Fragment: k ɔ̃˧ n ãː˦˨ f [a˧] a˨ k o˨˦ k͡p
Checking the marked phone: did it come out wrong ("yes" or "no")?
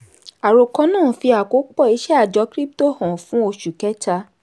yes